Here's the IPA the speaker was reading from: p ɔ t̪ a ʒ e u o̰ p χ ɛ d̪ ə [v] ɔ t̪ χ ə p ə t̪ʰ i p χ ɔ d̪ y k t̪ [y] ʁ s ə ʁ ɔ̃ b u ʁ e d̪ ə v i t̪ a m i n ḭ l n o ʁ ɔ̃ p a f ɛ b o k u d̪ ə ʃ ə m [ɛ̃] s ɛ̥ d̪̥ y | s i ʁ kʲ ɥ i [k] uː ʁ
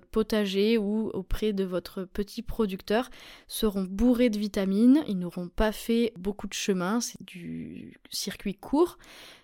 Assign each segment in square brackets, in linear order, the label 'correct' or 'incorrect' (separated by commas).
correct, incorrect, correct, incorrect